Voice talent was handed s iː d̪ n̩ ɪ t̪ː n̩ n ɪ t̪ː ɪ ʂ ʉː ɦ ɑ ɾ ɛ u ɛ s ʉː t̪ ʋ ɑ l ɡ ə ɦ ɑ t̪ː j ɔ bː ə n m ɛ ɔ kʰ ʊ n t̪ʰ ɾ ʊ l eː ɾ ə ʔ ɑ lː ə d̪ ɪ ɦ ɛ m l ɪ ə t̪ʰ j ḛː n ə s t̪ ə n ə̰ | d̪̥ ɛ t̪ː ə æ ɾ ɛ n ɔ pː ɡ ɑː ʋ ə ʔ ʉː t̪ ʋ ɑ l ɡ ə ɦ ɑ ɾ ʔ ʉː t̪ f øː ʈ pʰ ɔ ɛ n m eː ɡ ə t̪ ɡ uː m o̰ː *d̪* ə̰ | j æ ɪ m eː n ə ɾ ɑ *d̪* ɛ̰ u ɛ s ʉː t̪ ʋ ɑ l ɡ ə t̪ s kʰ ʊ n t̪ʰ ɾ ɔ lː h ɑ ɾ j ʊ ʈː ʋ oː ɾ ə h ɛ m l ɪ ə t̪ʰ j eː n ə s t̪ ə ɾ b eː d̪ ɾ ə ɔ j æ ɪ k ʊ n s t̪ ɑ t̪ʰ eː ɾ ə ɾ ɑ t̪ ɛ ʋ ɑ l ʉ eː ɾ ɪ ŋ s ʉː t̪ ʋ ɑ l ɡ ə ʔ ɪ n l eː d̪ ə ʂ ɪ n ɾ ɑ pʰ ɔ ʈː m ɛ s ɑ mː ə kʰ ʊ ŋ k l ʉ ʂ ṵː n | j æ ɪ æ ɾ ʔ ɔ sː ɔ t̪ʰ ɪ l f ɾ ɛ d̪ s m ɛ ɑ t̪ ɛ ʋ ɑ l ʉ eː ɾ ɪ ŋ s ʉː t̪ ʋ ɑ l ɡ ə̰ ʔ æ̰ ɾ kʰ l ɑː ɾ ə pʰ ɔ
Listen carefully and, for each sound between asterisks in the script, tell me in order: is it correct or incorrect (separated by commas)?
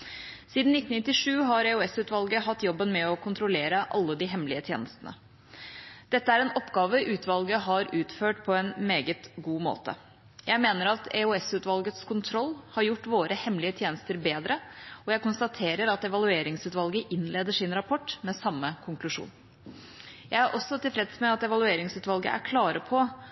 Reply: incorrect, incorrect